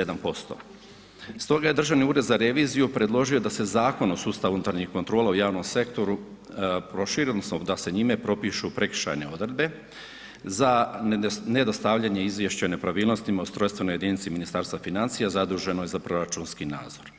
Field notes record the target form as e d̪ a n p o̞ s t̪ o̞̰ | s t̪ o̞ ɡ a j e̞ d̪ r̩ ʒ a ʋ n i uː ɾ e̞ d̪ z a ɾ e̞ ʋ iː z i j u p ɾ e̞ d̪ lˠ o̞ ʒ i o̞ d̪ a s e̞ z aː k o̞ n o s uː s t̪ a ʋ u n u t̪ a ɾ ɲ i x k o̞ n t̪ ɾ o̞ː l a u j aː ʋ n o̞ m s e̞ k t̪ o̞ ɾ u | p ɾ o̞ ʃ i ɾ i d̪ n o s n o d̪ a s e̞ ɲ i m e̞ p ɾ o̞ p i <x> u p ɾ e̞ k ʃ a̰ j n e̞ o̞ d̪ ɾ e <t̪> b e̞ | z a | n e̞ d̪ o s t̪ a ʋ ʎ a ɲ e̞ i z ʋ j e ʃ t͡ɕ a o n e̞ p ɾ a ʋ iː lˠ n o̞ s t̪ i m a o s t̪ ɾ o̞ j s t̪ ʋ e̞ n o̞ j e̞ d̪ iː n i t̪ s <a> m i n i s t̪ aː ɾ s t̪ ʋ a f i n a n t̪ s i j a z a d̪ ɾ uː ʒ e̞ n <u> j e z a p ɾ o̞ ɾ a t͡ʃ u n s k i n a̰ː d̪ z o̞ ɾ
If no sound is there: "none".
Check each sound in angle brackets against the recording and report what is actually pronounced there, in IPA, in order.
ʃ, d̪, i, o

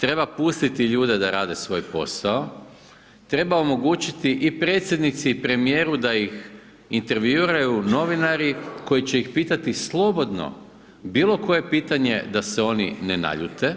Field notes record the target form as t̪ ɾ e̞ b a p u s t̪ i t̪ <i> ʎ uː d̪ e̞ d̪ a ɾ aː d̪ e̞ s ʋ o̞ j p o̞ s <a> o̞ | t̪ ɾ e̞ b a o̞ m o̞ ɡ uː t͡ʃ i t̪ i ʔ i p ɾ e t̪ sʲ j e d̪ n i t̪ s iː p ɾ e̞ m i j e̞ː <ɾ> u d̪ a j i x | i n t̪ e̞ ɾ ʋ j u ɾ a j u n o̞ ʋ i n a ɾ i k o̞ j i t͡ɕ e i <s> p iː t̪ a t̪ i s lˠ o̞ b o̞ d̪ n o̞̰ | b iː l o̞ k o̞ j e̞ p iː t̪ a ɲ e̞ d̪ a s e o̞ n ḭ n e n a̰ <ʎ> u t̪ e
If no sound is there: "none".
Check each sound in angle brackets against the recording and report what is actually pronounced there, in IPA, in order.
i, a, ɾ, x, ʎ

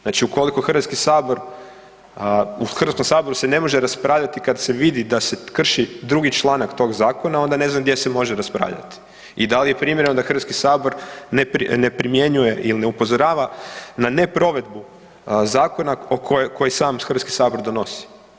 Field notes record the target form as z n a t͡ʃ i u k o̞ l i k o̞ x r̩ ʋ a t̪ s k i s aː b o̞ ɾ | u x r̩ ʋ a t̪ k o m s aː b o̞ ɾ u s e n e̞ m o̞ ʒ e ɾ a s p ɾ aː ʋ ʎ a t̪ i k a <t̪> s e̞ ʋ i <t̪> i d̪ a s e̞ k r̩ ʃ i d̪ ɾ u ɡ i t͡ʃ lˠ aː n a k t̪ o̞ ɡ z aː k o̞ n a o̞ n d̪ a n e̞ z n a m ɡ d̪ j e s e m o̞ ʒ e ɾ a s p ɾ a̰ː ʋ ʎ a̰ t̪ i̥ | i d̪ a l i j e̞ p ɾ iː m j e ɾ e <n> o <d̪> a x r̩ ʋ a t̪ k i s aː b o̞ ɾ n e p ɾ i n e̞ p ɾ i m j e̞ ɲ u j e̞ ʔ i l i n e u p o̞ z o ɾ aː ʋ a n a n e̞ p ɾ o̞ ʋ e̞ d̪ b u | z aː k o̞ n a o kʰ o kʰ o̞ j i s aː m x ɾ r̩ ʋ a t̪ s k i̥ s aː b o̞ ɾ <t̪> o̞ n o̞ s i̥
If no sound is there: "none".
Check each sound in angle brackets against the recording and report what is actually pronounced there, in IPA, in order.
d̪, d̪, n, d̪, d̪

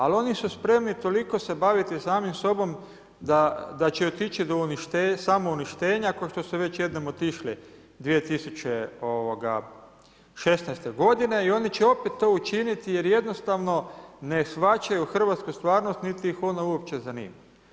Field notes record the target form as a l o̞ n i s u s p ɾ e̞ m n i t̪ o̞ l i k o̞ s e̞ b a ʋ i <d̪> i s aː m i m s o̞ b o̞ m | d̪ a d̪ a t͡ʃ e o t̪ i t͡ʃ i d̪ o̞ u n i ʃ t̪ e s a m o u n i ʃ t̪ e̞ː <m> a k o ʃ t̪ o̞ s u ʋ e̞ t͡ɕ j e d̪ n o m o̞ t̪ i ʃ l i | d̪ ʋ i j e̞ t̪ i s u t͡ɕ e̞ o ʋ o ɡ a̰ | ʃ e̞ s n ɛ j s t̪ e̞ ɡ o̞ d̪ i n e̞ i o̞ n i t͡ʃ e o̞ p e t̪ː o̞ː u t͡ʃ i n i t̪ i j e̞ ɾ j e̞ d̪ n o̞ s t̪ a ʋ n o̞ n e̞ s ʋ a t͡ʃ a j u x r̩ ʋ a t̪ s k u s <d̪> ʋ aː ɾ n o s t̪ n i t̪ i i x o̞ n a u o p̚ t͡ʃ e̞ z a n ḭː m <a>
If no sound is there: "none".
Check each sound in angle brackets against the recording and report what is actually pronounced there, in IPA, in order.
t̪, ɲ, t̪, a

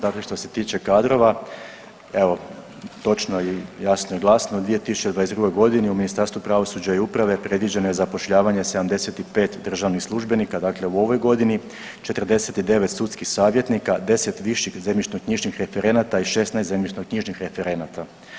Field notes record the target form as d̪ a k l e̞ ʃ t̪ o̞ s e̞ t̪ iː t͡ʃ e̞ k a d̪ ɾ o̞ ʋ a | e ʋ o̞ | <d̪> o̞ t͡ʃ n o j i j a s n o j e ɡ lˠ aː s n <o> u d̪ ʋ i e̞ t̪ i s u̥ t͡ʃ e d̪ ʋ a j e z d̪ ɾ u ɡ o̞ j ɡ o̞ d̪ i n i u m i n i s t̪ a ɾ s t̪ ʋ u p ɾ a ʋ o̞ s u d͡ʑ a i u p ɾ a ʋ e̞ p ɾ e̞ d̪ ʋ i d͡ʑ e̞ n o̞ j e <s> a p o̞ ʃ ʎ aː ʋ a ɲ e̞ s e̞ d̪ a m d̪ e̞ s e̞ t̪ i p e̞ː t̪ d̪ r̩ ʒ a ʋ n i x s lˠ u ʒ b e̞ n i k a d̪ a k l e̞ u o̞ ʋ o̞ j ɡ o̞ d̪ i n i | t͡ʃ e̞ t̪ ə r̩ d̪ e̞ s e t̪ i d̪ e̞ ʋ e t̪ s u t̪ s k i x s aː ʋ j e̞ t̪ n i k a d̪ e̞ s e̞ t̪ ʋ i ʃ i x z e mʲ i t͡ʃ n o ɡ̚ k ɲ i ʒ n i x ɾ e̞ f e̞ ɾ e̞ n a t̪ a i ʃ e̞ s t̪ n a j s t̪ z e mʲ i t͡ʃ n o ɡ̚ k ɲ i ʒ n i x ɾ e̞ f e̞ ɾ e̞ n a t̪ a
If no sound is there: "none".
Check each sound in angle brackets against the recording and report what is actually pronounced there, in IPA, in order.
t̪, o, z

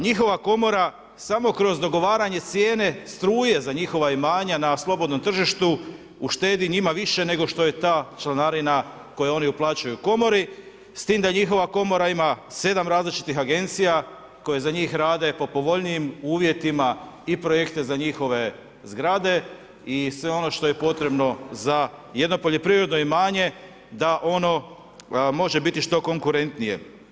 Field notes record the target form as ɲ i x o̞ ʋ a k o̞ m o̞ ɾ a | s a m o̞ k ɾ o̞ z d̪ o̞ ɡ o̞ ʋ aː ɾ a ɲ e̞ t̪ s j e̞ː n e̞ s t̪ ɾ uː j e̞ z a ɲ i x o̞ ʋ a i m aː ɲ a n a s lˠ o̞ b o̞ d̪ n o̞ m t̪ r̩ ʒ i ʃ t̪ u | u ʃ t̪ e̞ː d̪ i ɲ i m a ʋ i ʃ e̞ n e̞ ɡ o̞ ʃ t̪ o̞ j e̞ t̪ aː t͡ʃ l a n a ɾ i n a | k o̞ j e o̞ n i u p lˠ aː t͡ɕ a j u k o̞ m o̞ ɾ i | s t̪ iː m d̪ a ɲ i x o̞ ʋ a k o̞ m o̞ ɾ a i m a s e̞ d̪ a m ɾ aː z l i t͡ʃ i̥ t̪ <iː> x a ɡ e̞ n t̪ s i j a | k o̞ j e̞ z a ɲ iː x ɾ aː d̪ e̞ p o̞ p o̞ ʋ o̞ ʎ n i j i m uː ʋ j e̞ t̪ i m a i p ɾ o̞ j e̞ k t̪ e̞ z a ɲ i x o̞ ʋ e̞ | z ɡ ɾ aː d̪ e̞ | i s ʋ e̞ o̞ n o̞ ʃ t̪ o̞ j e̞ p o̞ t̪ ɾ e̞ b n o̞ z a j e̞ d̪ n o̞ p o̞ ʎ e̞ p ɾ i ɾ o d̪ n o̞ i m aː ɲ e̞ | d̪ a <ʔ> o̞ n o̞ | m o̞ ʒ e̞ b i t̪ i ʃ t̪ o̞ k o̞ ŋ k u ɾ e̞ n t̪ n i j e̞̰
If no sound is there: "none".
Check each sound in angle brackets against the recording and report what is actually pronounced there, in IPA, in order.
i, ʔ

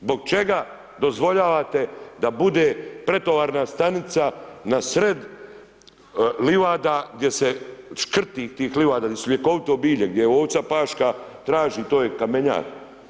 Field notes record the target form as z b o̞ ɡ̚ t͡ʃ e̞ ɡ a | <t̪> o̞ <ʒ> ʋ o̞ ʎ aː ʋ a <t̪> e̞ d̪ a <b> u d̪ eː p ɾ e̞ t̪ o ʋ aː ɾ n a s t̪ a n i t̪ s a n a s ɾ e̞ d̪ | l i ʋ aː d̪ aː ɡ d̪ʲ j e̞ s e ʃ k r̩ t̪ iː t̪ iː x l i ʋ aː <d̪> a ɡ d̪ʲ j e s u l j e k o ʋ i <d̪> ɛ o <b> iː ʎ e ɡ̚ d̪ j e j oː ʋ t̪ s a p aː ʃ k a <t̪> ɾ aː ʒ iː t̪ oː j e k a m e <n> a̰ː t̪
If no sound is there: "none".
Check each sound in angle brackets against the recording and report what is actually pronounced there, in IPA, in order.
d̪, z, t̪, b, d̪, t̪, b, t̪, ɲ

